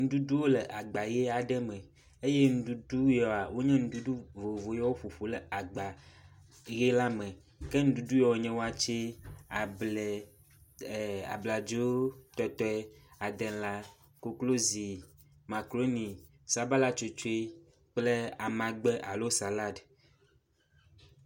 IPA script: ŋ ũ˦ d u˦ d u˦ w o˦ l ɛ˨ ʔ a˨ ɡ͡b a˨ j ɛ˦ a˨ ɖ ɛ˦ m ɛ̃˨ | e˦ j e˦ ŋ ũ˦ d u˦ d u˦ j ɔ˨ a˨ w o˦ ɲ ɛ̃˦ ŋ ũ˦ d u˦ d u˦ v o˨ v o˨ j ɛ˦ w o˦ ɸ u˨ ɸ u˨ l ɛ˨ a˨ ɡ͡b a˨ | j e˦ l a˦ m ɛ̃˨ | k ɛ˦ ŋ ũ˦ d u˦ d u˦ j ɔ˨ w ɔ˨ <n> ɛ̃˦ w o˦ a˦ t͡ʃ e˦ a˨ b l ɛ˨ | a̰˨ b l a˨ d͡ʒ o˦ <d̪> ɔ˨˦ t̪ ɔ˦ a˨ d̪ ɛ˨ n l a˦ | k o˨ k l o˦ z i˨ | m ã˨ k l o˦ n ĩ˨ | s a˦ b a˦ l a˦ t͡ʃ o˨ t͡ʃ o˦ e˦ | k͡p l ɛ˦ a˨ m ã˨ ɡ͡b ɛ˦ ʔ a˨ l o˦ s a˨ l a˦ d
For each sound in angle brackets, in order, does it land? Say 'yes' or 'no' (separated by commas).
no, no